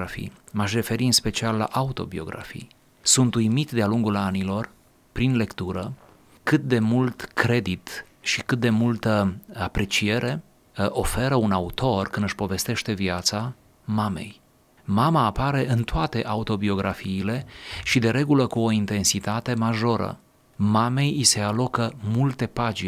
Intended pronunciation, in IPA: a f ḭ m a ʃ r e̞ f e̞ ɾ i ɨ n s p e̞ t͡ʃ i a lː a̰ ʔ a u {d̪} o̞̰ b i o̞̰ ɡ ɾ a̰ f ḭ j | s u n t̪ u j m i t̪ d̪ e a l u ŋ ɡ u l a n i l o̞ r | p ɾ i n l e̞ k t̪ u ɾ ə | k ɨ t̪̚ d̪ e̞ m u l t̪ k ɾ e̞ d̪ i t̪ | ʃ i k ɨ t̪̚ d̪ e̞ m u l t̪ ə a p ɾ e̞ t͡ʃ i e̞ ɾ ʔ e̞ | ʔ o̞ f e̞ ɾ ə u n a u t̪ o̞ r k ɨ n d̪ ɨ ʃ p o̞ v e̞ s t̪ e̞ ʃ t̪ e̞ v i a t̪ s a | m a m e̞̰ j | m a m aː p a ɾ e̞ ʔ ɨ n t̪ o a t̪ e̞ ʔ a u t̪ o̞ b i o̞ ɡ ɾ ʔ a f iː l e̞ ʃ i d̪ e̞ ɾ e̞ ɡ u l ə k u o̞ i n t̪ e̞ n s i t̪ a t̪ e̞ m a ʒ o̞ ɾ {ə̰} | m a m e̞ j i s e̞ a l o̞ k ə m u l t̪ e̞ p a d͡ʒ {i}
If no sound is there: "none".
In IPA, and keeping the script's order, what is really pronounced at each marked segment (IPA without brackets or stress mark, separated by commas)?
t̪, ə̰, i